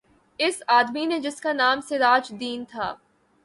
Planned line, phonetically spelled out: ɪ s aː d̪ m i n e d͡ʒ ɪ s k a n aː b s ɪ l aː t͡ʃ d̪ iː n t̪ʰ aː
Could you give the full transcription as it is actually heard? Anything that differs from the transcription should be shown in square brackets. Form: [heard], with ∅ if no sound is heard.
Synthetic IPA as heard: ɪ s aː d̪ m i n e d͡ʒ ɪ s k a n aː [m] s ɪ [ɾ] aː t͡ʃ d̪ iː n t̪ʰ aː